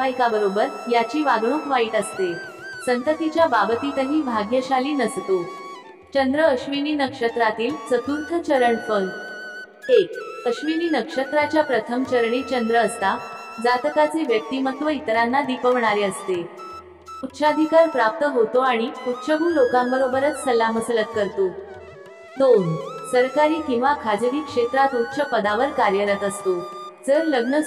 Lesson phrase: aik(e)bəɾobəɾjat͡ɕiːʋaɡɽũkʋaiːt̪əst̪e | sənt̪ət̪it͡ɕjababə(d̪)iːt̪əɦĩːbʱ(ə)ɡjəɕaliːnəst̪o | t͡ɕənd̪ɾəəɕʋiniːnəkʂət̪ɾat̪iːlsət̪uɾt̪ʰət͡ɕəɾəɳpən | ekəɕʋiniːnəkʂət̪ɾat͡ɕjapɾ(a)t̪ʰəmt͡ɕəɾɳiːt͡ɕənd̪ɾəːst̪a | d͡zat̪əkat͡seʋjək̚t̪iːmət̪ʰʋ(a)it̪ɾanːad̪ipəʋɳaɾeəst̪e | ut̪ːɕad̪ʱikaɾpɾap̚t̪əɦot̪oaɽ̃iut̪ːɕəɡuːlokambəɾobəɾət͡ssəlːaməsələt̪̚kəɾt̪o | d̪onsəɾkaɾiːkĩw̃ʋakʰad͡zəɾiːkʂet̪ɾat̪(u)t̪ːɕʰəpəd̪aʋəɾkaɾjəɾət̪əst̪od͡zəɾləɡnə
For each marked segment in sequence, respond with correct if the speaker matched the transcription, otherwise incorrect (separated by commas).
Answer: incorrect, incorrect, incorrect, incorrect, incorrect, correct